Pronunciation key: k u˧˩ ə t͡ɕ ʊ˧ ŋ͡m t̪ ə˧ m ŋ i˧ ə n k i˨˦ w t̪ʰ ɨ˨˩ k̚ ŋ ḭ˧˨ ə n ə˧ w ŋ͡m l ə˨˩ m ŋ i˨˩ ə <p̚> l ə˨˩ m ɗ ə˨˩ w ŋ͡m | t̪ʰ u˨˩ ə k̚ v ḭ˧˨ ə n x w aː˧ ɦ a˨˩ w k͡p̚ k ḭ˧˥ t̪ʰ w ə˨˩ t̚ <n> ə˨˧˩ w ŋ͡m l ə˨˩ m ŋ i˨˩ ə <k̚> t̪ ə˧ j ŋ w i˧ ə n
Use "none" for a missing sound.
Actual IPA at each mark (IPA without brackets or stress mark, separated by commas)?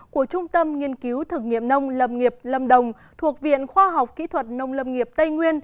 p̚, n, p̚